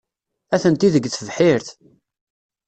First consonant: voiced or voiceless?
voiceless